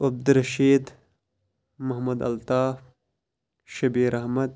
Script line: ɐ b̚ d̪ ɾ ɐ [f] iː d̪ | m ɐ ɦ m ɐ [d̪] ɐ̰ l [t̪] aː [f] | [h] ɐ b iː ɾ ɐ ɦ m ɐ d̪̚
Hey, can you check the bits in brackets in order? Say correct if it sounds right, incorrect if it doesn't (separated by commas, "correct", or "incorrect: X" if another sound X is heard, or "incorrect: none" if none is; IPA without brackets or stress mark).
incorrect: ʃ, correct, correct, correct, incorrect: ʃ